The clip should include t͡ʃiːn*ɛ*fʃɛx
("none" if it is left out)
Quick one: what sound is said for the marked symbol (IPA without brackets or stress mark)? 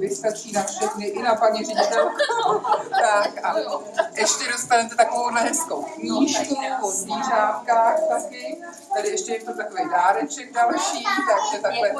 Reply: a